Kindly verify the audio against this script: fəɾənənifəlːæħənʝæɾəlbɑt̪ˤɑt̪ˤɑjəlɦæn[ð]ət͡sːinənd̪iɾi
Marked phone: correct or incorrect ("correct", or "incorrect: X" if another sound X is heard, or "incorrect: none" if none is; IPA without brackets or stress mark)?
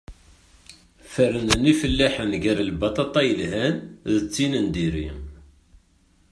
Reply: correct